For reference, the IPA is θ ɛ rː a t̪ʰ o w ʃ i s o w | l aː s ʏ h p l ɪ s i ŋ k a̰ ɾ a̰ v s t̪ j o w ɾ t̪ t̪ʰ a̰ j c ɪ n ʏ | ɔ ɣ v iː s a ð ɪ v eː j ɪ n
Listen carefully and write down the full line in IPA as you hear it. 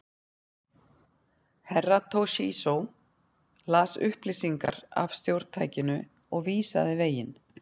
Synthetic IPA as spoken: h ɛ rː a t̪ʰ o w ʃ i s o w | l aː s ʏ h p l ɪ s i ŋ k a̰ ɾ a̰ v s t̪ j o w ɾ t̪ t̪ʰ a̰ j c ɪ n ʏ | ɔ ɣ v iː s a ð ɪ v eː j ɪ n